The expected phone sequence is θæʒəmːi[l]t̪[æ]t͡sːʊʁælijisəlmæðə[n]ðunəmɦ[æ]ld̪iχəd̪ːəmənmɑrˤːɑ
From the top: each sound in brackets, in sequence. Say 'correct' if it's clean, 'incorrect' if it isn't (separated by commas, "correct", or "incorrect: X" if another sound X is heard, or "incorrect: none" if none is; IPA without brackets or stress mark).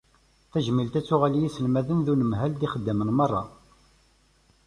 correct, correct, correct, correct